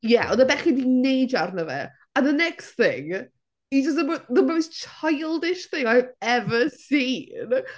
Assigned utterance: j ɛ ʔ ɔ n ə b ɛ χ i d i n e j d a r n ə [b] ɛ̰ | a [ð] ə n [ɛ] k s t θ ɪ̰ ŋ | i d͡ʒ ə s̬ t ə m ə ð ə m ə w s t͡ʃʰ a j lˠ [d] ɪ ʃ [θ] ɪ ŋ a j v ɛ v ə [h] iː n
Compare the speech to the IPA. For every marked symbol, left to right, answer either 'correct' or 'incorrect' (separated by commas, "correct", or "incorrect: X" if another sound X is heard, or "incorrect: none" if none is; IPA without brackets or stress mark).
incorrect: v, correct, correct, correct, correct, incorrect: s